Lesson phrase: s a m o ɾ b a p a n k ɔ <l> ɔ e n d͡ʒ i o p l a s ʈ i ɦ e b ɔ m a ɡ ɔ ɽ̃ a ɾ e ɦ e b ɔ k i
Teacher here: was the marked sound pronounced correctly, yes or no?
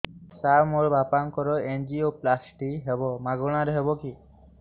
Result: no